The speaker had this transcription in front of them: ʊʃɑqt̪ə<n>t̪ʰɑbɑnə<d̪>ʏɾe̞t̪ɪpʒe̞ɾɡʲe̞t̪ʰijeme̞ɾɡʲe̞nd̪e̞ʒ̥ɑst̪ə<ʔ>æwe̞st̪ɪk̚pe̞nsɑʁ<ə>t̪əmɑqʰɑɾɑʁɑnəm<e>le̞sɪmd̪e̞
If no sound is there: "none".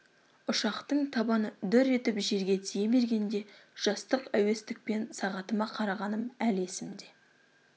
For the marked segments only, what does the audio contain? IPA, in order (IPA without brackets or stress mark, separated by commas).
ɴ, d̪, q, ɑ, æ